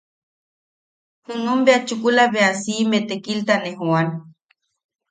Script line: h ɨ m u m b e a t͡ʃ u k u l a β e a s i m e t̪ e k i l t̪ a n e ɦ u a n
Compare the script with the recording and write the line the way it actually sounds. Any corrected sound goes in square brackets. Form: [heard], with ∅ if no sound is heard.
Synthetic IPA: h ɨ [n] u m b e a t͡ʃ u k u l a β e a s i m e t̪ e k i l t̪ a n e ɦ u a n